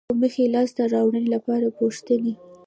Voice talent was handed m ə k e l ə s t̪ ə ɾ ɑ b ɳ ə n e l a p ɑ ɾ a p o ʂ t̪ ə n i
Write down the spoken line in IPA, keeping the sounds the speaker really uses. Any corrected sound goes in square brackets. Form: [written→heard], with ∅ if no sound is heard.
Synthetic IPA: m ə [k→x] e l [ə→ɑ] s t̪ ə ɾ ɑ [b→w] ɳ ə n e l a p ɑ ɾ a p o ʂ t̪ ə n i